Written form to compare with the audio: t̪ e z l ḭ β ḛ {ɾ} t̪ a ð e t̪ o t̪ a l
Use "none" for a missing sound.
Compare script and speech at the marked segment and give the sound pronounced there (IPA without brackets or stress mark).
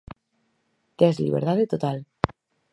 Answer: ɾ